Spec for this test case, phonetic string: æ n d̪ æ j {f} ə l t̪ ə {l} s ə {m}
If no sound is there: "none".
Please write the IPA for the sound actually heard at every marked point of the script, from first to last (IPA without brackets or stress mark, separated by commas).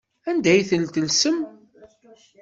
θ, l, m